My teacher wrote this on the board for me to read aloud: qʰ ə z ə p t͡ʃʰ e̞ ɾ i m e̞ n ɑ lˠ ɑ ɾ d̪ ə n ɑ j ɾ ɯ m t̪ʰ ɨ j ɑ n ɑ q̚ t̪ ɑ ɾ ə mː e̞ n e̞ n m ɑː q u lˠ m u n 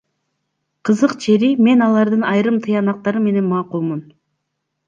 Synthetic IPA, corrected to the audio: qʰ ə z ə q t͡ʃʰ e̞ ɾ i m e̞ n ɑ lˠ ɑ ɾ d̪ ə n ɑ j ɾ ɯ m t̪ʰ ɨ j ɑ n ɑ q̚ t̪ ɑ ɾ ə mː e̞ n e̞ n m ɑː q u lˠ m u n